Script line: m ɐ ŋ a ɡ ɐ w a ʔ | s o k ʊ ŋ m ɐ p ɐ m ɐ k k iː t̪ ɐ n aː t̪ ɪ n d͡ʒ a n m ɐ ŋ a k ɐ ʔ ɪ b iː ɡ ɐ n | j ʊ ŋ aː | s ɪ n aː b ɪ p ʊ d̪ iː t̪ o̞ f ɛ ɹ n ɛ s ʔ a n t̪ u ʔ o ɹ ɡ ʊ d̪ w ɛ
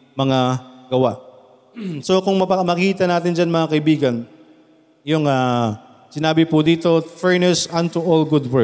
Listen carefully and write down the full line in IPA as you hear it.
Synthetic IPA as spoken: m ɐ ŋ a ɡ ɐ w a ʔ | s o k ʊ ŋ m ɐ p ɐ m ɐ k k iː t̪ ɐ n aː t̪ ɪ n d͡ʒ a n m ɐ ŋ a k ɐ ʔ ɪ b iː ɡ ɐ n | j ʊ ŋ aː | s ɪ n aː b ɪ p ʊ d̪ iː t̪ o̞ f ɛ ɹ n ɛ s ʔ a n t̪ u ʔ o l ɡ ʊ d̪ w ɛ